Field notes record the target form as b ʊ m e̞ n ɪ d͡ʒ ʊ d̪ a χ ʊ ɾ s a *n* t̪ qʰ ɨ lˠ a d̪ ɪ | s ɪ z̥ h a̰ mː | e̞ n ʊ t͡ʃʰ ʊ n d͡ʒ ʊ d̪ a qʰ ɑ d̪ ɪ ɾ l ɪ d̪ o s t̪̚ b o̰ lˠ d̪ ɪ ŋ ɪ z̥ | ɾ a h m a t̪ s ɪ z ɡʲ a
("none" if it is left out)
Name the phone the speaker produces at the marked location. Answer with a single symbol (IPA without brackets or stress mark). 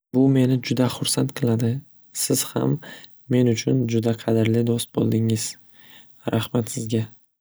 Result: n